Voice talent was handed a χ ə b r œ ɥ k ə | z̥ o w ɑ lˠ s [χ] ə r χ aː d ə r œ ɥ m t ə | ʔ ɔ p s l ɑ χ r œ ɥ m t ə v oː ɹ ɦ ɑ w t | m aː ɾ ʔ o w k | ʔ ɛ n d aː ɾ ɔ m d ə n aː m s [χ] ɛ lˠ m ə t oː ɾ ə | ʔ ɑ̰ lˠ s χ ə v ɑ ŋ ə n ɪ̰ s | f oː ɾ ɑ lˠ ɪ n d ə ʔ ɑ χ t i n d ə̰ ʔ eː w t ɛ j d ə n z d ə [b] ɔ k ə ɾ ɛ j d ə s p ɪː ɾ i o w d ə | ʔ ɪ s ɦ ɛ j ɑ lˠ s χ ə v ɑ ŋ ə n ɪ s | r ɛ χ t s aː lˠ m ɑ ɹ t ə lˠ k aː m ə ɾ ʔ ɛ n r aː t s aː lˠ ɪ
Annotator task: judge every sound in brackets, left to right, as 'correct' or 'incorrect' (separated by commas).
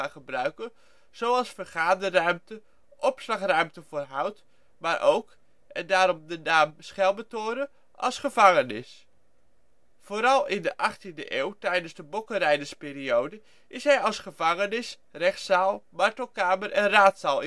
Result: incorrect, correct, correct